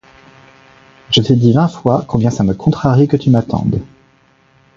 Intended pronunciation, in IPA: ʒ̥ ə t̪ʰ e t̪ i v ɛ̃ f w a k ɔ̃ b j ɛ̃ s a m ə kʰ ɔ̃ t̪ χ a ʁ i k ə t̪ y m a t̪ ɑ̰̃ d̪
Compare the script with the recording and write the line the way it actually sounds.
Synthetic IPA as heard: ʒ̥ ə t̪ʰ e d̪ i v ɛ̃ f w a k ɔ̃ b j ɛ̃ s a m ə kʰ ɔ̃ t̪ χ a ʁ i k ə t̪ y m a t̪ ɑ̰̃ d̪